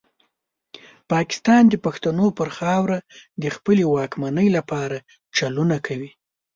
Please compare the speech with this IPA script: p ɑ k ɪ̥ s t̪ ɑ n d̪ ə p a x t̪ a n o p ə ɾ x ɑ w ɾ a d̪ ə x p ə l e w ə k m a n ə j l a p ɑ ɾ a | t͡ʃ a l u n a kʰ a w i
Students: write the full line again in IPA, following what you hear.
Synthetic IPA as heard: p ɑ k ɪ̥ s t̪ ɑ n d̪ ə p a x t̪ a n o p ə ɾ x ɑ w ɾ a d̪ ə x p ə l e w ɑ k m a n ə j l a p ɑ ɾ a | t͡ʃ a l u n a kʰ a w i